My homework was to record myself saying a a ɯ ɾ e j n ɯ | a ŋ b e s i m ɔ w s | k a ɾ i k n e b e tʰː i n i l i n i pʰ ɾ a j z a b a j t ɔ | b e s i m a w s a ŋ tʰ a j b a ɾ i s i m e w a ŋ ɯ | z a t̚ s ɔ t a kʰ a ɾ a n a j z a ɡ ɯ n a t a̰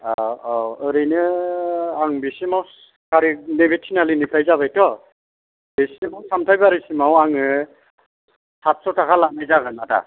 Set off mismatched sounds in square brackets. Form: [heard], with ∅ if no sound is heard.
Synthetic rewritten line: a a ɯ ɾ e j n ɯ | a ŋ b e s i m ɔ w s | k a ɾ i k n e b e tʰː i n [a] l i n i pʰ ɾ a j z a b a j t ɔ | b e s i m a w s a [m] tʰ a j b a ɾ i s i m [a] w a ŋ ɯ | [s] a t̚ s ɔ t a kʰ a [l] a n a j z a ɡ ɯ n a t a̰